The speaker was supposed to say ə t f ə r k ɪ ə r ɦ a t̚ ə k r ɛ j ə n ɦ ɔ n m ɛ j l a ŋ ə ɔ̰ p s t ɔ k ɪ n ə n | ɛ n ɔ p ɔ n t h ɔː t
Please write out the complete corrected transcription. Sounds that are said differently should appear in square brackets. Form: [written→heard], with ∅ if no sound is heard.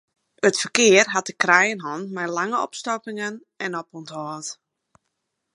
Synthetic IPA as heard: ə t f ə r k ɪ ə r ɦ a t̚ ə k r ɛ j ə n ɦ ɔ n m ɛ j l a ŋ ə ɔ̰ p s t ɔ k ɪ [n→ŋ] ə n | ɛ n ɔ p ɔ n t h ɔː t